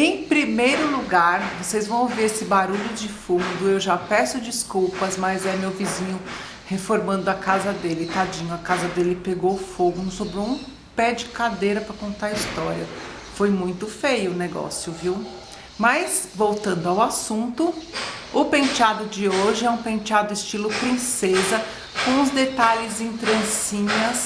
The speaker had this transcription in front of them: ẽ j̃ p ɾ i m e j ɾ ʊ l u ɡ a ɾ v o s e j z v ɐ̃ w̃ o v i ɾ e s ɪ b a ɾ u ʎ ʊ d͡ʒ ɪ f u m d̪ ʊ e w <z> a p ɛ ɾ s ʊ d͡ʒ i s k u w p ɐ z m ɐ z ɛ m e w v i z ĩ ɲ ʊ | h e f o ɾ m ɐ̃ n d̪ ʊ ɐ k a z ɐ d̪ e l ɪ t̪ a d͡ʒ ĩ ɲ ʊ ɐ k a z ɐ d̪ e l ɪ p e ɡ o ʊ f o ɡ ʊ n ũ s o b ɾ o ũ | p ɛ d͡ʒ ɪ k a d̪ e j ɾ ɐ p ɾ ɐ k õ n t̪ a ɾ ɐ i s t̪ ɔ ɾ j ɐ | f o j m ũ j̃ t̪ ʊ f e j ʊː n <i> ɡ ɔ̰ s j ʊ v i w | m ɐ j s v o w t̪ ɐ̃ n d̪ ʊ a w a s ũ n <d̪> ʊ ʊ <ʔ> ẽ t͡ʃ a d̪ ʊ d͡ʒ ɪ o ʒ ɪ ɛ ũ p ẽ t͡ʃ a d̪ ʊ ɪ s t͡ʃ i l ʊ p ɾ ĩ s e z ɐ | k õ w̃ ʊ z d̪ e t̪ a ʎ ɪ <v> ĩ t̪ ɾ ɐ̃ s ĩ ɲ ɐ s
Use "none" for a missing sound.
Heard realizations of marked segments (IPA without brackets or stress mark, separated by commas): ʒ, e, t̪, p, z